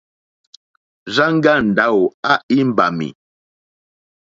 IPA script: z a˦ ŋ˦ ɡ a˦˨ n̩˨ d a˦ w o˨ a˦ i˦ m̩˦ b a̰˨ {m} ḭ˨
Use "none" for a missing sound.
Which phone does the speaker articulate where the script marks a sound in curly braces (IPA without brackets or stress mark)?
m